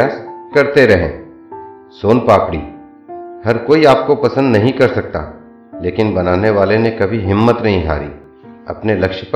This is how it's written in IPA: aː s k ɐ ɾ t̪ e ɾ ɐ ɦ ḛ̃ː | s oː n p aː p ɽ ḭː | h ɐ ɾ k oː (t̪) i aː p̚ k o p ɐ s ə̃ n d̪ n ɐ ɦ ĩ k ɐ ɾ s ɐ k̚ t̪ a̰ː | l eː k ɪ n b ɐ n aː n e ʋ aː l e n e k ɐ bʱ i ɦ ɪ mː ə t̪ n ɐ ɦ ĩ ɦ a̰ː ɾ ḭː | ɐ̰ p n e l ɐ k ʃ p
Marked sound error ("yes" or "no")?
yes